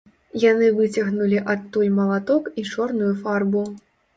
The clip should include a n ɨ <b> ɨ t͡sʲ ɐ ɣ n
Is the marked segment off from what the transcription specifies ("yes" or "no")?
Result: yes